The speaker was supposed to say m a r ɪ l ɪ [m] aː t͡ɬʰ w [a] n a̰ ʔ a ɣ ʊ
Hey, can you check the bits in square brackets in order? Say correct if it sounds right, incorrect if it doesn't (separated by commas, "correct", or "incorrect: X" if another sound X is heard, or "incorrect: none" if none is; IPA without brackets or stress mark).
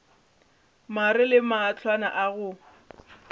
correct, correct